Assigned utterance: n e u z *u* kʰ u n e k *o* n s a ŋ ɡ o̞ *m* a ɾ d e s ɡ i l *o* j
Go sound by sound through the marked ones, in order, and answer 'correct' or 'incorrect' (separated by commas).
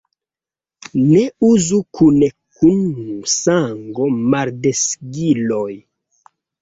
correct, incorrect, correct, correct